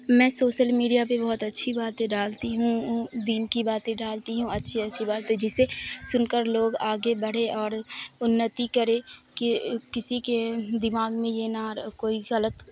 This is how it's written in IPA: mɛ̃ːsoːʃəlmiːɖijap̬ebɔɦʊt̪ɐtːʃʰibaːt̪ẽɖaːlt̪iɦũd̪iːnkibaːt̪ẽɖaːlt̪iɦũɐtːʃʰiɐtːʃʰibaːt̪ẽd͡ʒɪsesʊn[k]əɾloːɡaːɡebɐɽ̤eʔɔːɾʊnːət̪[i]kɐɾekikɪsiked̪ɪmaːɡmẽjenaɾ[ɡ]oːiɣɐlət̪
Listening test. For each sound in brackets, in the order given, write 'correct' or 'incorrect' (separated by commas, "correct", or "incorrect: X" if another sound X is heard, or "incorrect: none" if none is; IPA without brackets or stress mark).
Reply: correct, correct, incorrect: k